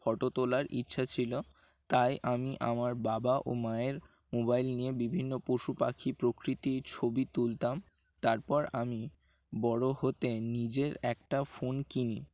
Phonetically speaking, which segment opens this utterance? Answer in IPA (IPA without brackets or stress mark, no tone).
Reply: f